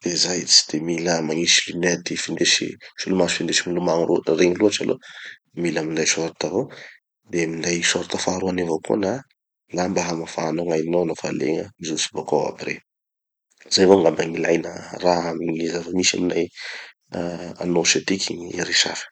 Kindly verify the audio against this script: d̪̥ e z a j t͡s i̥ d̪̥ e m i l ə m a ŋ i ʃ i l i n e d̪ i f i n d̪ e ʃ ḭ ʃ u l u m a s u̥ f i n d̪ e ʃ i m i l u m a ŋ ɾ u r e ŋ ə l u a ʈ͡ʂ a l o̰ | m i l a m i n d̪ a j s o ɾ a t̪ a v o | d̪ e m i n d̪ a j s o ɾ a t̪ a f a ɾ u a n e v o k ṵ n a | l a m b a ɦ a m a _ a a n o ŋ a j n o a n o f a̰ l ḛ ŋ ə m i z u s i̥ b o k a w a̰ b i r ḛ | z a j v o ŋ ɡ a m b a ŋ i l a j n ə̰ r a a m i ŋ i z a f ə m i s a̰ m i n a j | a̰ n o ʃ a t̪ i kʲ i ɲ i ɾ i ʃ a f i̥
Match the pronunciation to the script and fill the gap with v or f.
f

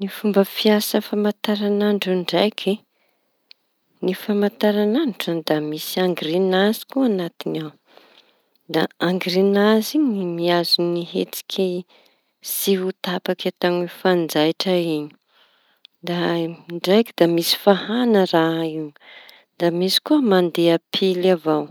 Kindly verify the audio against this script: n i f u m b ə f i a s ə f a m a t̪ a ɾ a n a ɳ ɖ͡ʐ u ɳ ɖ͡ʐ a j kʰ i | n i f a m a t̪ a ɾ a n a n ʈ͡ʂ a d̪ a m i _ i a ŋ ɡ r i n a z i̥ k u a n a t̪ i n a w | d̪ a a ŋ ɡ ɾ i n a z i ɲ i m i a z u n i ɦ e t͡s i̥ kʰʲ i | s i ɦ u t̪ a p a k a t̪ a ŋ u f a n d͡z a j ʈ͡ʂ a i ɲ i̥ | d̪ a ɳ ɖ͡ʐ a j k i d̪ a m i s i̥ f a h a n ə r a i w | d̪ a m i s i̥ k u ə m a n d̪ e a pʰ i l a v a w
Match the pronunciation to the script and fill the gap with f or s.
s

